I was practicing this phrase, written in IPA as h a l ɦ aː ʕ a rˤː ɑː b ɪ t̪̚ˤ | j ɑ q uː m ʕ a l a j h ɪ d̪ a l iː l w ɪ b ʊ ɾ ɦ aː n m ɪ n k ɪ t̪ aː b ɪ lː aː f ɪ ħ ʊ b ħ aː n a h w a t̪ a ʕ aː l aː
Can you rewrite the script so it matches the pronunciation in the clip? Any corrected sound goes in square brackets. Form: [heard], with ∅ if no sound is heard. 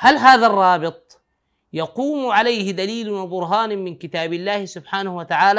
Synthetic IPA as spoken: h a l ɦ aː [ð] a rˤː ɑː b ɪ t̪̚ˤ | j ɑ q uː m ʕ a l a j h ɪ d̪ a l iː l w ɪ b ʊ ɾ ɦ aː n m ɪ n k ɪ t̪ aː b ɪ lː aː [h] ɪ [s] ʊ b ħ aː n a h w a t̪ a ʕ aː l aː